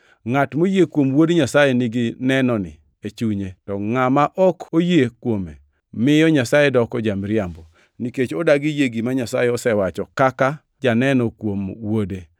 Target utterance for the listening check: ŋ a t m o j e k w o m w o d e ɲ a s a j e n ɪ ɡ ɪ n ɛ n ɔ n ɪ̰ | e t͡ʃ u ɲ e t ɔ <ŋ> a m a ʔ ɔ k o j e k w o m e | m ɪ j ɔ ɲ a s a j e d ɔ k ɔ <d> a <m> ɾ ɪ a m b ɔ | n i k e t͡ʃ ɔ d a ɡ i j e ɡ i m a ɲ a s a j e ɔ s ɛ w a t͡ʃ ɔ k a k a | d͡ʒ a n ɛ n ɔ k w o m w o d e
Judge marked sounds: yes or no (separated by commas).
yes, no, yes